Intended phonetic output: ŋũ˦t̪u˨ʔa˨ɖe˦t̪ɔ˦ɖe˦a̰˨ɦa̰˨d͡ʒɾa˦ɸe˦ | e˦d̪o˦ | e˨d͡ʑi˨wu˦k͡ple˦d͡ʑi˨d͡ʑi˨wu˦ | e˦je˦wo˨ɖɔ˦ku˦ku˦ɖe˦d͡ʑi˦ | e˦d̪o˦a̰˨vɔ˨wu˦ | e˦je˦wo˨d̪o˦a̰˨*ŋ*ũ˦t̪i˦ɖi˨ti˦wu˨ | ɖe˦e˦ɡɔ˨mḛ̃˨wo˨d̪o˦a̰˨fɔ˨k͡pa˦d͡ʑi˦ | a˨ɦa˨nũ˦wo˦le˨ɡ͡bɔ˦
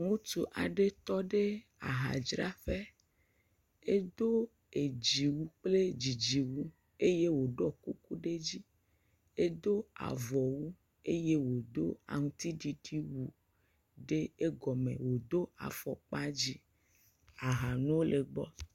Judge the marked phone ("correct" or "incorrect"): correct